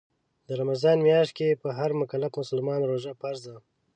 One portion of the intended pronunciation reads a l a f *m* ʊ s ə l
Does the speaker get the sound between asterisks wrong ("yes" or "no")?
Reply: no